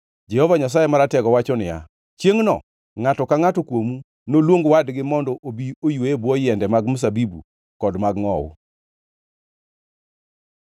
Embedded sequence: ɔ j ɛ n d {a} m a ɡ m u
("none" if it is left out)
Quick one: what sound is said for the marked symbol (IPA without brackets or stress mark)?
ɛ